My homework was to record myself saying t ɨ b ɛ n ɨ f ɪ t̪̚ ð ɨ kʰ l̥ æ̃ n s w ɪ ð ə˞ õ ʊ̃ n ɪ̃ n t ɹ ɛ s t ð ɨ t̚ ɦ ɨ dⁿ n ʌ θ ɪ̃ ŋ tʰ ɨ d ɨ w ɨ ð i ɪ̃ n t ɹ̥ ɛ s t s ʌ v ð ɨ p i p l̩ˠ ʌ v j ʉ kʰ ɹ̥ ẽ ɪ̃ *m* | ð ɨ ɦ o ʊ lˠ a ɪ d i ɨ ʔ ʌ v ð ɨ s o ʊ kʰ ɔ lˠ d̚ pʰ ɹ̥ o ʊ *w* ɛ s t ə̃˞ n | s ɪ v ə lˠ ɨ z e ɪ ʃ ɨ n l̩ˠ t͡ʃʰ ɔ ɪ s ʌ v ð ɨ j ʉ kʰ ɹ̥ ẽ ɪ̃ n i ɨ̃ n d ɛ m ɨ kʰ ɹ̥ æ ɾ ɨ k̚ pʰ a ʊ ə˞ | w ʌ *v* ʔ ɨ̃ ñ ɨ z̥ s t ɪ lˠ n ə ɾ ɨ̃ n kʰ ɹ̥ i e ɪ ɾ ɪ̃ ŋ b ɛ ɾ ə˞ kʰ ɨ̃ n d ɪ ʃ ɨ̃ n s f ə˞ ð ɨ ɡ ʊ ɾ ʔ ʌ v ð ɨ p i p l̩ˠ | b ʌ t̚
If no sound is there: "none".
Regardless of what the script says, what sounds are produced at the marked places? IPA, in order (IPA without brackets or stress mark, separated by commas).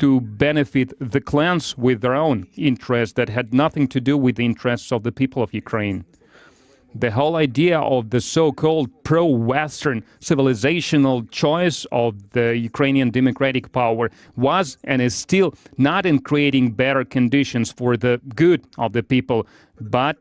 n, w, z